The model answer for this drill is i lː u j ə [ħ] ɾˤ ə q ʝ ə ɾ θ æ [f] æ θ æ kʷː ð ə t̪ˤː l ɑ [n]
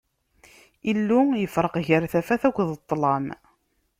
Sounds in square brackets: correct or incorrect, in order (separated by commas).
incorrect, correct, incorrect